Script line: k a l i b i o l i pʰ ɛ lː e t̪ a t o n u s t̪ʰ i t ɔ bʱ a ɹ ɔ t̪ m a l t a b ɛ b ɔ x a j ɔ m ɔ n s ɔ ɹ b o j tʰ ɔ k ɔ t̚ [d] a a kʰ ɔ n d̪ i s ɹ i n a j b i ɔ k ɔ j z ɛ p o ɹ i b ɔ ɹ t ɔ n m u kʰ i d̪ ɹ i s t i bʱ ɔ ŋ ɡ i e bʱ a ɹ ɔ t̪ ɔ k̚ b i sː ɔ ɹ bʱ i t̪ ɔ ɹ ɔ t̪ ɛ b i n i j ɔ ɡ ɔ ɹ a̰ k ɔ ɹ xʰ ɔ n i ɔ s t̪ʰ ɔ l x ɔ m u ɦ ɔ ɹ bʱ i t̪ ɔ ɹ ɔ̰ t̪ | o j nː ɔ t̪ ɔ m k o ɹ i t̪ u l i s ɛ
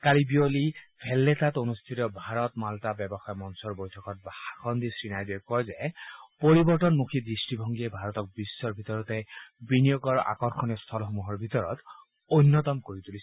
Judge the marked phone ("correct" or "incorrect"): incorrect